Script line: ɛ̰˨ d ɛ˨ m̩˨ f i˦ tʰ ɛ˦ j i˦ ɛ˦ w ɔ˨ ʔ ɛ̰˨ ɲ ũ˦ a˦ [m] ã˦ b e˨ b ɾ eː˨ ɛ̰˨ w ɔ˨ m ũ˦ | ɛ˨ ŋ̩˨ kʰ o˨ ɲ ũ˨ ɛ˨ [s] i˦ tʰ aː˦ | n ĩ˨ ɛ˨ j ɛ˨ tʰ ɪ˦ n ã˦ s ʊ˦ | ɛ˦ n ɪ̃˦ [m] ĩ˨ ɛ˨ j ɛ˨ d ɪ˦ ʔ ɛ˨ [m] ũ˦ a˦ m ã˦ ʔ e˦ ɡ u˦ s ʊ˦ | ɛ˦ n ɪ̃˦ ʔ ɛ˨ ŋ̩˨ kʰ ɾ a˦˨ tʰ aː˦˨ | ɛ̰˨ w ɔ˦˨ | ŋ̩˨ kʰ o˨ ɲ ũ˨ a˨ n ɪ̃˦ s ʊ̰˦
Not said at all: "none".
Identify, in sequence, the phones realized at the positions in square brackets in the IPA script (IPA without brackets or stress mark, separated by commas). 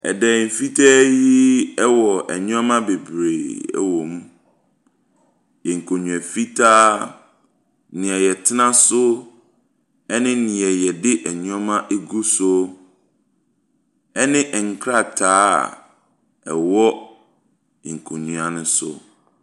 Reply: m, f, n, ɲ